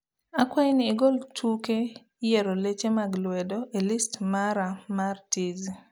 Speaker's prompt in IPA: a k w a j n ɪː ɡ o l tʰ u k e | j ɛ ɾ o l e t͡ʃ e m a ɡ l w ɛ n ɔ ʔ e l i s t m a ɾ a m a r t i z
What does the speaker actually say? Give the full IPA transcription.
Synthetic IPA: a k w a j n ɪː ɡ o l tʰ u k e | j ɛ ɾ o l e t͡ʃ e m a ɡ l w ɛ d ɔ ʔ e l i s t m a ɾ a m a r t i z